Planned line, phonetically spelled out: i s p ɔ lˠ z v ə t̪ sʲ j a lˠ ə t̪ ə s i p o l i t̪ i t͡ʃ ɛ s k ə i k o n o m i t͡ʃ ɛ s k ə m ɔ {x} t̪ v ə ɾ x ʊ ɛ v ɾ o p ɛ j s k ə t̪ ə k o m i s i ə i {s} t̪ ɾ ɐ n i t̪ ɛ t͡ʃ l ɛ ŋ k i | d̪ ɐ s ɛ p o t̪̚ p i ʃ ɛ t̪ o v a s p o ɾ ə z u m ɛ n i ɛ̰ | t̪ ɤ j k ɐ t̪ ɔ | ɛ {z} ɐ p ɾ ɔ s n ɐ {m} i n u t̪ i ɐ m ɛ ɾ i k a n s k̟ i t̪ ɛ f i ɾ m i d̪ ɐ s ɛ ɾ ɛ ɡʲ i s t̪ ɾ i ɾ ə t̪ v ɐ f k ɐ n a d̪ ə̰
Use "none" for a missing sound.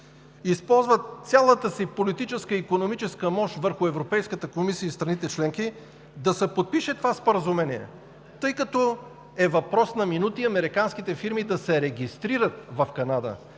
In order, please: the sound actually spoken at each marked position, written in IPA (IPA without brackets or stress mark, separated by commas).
ʃ, s, v, m